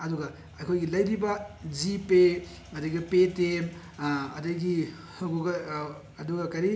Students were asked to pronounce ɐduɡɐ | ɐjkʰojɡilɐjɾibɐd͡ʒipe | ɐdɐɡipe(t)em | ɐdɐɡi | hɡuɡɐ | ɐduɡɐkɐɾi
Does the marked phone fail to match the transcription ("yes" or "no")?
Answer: no